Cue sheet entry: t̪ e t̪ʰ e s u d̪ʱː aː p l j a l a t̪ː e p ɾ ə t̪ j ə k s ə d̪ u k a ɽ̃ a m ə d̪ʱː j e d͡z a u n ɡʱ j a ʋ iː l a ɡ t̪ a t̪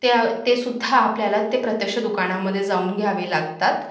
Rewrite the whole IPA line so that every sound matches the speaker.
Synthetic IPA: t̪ e t̪ e s u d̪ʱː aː p l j a l a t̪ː e p ɾ ə t̪ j ə k ʂ ə d̪ u k a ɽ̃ a m ə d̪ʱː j e d͡z a uː n ɡʱ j a ʋ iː l a ɡ t̪ a t̪

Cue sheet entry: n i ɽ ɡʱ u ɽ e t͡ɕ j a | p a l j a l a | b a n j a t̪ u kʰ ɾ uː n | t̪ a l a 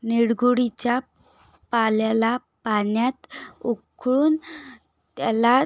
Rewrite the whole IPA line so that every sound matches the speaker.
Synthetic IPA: n i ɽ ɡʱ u ɽ i t͡ɕ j a | p a l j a l a | p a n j a t̪ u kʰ ɭ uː n | t̪ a l a

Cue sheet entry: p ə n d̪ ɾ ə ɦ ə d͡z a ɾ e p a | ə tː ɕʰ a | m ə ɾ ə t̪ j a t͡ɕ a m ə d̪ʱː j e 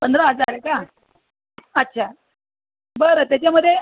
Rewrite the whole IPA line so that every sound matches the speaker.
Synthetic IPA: p ə n d̪ ɾ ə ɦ ə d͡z a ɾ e k a | ə tː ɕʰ a | b ə ɾ ə t̪ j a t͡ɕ a m ə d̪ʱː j e

